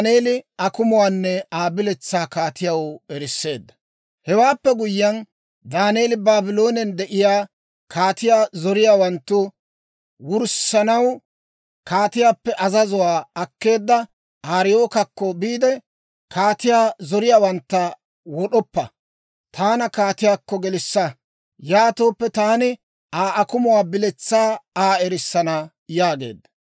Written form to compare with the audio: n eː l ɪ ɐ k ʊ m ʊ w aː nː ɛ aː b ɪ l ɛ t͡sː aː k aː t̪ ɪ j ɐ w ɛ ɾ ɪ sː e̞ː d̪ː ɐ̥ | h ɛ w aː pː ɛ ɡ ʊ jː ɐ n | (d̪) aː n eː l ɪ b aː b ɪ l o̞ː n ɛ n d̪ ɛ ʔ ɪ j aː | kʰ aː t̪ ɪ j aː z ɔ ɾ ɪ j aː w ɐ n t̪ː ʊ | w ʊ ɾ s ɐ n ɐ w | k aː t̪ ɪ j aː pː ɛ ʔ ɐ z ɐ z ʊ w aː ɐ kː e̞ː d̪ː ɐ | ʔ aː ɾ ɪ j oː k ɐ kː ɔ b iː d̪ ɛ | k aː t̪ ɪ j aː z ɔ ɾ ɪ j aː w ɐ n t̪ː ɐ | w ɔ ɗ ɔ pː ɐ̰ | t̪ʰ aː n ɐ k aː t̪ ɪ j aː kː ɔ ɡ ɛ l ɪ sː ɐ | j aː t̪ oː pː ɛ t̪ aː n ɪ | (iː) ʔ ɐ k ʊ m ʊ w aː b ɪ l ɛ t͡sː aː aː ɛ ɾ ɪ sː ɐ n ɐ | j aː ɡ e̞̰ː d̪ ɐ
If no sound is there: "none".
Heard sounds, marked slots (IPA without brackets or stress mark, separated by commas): d̪, aː